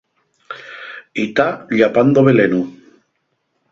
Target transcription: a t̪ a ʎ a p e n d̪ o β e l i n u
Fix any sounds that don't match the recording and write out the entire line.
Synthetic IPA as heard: i t̪ a ʎ a p a n d̪ o β e l e n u